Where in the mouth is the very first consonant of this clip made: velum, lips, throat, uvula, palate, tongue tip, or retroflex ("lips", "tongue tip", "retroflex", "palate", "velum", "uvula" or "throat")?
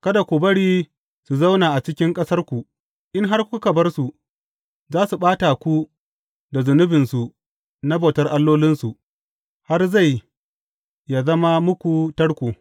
velum